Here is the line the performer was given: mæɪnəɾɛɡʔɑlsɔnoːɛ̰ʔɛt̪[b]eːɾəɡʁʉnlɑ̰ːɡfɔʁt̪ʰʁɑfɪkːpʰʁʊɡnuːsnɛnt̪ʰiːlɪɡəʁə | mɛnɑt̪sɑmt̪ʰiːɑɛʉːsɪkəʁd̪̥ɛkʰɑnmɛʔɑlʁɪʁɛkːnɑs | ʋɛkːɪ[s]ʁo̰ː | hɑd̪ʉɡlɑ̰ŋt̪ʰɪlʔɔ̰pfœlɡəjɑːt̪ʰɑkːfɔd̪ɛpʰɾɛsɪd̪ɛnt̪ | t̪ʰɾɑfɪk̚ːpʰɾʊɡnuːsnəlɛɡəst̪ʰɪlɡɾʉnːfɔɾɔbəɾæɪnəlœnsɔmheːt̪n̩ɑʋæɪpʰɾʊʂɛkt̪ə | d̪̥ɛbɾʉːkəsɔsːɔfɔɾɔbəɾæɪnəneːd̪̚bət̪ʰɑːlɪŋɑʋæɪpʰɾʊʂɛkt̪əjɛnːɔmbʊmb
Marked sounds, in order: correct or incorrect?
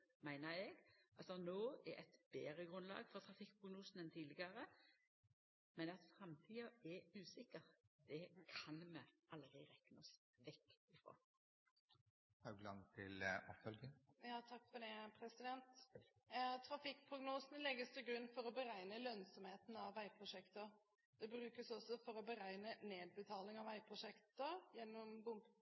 correct, incorrect: f

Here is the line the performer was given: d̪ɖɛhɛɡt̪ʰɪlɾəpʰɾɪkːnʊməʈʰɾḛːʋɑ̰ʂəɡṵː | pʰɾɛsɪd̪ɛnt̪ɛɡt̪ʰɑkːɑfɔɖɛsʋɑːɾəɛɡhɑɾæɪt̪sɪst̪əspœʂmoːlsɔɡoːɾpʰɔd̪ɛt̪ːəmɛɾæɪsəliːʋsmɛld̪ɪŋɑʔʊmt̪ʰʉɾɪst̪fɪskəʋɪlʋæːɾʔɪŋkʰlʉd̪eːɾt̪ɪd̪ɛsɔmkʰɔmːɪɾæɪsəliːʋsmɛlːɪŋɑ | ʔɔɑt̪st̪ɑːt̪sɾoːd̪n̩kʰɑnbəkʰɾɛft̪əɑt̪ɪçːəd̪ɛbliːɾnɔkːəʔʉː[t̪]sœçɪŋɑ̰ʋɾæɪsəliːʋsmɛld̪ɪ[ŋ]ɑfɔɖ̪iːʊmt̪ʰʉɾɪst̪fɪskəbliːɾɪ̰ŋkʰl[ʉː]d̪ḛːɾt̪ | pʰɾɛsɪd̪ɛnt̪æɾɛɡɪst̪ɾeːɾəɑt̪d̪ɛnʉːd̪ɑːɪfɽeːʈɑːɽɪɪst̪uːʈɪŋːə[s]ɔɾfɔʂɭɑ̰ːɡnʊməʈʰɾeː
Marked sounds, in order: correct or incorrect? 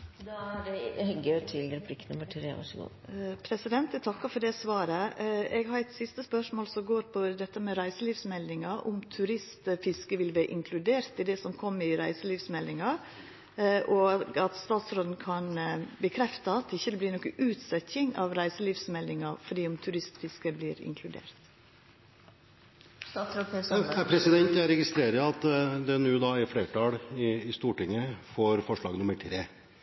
correct, correct, incorrect: ʉ, incorrect: f

